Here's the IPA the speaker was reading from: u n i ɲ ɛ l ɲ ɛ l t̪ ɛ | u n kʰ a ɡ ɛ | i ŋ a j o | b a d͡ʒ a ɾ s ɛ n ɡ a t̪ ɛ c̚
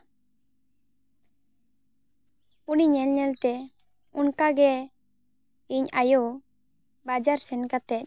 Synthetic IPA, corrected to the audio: u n i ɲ ɛ l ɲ ɛ l t̪ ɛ | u n k a ɡ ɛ | i ɲ a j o | b a d͡ʒ a ɾ s ɛ n k a t̪ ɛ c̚

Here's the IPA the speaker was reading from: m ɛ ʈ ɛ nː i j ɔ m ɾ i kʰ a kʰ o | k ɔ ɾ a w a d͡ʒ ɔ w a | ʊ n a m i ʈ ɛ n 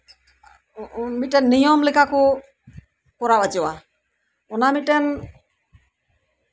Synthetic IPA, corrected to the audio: m i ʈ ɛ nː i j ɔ m l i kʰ a k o | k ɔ ɾ a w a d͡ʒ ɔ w a | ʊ n a m i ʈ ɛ n

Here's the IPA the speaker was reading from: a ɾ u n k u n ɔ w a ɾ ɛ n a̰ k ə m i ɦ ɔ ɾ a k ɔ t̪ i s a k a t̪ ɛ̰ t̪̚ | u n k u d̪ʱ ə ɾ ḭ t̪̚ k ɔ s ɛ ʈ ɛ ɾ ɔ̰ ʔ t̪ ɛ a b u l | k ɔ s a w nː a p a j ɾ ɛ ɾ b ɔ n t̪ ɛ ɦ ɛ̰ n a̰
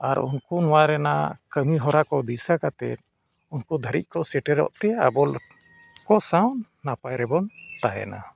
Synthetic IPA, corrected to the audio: a ɾ u n k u n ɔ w a ɾ ɛ n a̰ k ə m i ɦ ɔ ɾ a k ɔ d̪ i s a k a t̪ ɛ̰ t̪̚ | u n k u d̪ʱ ə ɾ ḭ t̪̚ k ɔ s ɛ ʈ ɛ ɾ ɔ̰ ʔ t̪ ɛ a b ɔ l | k ɔ s a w nː a p a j ɾ ɛ b ɔ n t̪ a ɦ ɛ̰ n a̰

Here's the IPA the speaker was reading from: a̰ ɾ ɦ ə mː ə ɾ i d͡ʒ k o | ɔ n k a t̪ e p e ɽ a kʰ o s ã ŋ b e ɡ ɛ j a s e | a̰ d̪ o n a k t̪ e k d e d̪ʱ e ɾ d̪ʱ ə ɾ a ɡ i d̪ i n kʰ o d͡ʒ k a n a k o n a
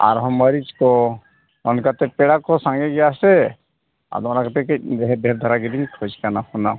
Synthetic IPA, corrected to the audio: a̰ ɾ ɦ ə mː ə ɾ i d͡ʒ k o | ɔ n k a t̪ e p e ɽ a k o s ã ŋ ɡ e ɡ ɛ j a s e | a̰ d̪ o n a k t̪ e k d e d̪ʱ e ɾ d̪ʱ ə ɾ a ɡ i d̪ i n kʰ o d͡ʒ k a n a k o n a

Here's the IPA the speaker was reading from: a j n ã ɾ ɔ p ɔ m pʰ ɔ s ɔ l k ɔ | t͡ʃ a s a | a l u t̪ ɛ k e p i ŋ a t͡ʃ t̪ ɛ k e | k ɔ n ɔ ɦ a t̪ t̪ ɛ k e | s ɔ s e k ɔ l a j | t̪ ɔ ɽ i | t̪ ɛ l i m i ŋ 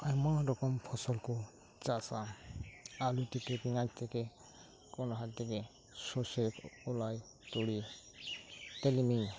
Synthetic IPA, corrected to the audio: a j m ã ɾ ɔ k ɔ m pʰ ɔ s ɔ l k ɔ | t͡ʃ a s a | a l u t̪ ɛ k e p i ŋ a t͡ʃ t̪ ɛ k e | k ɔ n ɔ ɦ a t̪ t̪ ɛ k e | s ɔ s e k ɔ l a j | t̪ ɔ ɽ i | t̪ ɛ l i m i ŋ

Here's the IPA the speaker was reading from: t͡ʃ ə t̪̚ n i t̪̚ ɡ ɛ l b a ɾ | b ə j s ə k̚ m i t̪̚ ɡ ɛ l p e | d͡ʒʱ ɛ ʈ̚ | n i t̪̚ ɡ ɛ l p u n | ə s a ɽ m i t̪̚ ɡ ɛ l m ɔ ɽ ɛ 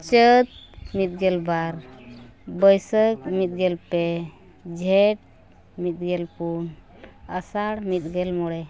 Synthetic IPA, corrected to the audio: t͡ʃ ə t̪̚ m i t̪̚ ɡ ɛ l b a ɾ | b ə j s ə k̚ m i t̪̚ ɡ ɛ l p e | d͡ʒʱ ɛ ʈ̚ | m i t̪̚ ɡ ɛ l p u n | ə s a ɽ m i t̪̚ ɡ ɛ l m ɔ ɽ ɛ

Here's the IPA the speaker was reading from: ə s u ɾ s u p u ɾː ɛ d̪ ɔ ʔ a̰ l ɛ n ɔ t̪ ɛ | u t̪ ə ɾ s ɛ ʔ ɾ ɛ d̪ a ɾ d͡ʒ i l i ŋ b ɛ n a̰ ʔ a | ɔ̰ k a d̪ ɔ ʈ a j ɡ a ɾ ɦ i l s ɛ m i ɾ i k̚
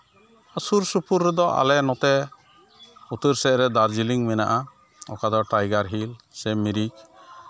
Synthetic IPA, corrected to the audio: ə s u ɾ s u p u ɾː ɛ d̪ ɔ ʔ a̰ l ɛ n ɔ t̪ ɛ | u t̪ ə ɾ s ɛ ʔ ɾ ɛ d̪ a ɾ d͡ʒ i l i ŋ m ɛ n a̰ ʔ a | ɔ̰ k a d̪ ɔ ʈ a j ɡ a ɾ ɦ i l s ɛ m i ɾ i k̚

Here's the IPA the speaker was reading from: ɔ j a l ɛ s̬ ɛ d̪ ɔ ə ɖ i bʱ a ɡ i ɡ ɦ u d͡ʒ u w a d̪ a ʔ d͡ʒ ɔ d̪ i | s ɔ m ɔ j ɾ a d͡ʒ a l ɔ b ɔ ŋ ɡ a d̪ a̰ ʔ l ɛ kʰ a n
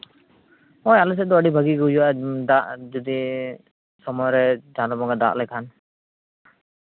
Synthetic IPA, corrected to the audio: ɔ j a l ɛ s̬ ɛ d̪ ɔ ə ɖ i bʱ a ɡ i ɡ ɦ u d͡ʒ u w a d̪ a ʔ d͡ʒ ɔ d̪ i | s ɔ m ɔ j ɾ ɛ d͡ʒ a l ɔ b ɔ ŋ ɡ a d̪ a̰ ʔ l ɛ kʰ a n

